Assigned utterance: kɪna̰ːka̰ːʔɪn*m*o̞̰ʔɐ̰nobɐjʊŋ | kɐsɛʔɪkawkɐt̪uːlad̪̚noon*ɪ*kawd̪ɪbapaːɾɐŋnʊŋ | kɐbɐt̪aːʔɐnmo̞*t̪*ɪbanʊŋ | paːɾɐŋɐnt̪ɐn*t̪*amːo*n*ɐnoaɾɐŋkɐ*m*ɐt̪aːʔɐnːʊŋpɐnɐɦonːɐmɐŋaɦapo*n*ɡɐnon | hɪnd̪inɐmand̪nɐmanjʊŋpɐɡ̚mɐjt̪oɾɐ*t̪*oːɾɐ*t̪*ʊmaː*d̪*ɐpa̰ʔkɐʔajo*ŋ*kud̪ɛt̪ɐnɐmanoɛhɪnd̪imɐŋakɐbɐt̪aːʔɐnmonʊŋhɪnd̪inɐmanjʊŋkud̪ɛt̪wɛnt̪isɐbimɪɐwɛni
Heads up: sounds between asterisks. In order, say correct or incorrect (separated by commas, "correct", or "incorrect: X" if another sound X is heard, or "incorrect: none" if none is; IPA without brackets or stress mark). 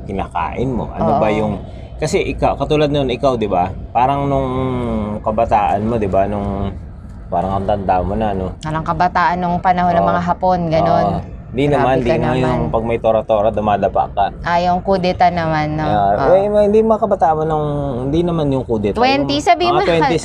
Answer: correct, correct, incorrect: d̪, incorrect: d̪, correct, incorrect: b, correct, correct, incorrect: d̪, correct, correct